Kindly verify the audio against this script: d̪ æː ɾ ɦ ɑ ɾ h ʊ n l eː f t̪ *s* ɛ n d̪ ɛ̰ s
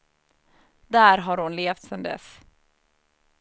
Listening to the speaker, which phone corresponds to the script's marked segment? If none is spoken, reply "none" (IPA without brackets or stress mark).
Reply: s